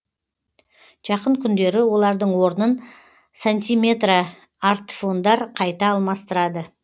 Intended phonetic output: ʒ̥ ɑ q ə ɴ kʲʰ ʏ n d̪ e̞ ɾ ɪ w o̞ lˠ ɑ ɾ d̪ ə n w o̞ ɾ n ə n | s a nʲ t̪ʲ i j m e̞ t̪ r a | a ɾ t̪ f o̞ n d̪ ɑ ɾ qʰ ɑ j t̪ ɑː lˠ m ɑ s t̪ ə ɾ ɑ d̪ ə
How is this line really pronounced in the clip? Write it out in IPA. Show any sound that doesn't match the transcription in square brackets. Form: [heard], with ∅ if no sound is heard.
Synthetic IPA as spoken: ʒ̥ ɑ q ə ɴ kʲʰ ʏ n d̪ e̞ ɾ ɪ w o̞ lˠ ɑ ɾ d̪ ə [ɴ] w o̞ ɾ n ə n | s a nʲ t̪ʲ i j m e̞ t̪ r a | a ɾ t̪ f o̞ n d̪ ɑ ɾ qʰ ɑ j t̪ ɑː lˠ m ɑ s t̪ ə ɾ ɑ d̪ ə